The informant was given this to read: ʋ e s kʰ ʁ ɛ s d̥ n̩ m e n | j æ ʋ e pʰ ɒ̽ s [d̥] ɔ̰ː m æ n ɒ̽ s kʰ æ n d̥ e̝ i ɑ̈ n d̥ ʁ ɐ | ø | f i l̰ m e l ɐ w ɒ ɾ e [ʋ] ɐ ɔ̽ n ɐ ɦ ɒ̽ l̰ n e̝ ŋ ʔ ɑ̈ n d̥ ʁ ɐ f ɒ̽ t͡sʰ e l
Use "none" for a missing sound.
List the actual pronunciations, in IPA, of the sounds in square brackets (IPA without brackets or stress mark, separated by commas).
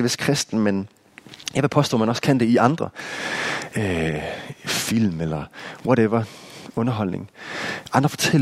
d̥, ʋ